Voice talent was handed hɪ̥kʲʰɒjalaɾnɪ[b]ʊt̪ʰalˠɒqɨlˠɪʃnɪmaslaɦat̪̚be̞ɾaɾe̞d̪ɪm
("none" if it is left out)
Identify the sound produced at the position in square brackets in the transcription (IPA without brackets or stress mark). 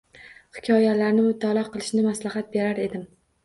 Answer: m